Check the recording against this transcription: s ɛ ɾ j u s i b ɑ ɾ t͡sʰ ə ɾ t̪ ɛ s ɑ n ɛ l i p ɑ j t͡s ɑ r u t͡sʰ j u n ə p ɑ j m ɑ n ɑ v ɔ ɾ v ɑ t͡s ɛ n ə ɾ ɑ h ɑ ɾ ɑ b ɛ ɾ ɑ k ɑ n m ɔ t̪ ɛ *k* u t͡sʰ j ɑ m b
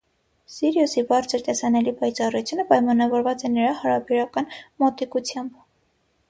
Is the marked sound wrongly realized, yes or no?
no